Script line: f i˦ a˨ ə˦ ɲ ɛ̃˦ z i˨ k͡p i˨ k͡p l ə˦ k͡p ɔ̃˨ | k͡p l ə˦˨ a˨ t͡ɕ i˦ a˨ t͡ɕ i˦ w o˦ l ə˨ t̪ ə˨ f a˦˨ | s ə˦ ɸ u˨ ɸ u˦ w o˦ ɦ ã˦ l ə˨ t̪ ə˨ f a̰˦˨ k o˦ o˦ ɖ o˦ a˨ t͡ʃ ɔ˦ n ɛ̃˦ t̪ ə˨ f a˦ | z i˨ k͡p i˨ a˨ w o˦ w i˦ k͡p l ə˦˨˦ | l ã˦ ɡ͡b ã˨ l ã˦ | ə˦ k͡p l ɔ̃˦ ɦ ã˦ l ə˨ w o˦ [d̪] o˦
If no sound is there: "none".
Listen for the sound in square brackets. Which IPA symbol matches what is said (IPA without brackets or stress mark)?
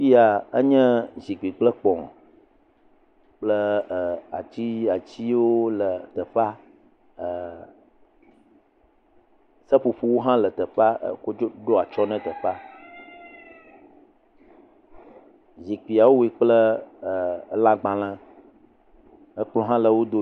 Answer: d̪